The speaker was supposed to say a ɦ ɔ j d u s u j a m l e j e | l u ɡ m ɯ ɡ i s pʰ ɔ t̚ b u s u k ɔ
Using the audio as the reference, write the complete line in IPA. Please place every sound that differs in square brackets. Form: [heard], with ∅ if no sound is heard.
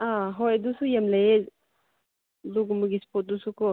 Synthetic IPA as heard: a ɦ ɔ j d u s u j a m l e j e | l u ɡ m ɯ ɡ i s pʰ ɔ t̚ [d] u s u k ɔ